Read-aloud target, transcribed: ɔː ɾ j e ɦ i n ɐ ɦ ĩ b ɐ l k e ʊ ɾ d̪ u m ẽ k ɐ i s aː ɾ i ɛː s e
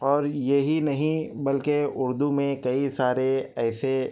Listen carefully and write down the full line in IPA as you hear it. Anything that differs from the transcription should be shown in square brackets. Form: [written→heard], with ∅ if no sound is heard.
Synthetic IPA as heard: ɔː ɾ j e ɦ i n ɐ ɦ ĩ b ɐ l k e ʊ ɾ d̪ u m ẽ k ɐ i s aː ɾ [i→e] ɛː s e